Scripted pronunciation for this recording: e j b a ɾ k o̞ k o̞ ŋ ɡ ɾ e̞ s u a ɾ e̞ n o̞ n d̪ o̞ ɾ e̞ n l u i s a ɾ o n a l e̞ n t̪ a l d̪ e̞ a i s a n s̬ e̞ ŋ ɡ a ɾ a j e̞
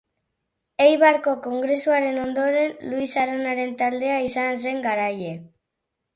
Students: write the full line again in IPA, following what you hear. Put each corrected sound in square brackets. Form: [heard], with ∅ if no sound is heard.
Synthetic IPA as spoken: e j [β] a ɾ k o̞ k o̞ ŋ ɡ ɾ e̞ s u a ɾ e̞ n o̞ n d̪ o̞ ɾ e̞ n l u i s a ɾ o n a [ɾ] e̞ n t̪ a l d̪ e̞ a i s a n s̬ e̞ ŋ ɡ a ɾ a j e̞